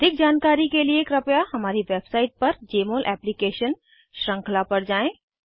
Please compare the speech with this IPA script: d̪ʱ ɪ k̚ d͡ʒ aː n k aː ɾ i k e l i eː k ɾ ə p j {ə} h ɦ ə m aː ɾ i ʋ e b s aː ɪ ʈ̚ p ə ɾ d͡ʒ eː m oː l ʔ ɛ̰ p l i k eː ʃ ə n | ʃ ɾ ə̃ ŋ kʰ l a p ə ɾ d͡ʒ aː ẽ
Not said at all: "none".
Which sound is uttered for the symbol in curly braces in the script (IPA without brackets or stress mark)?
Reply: a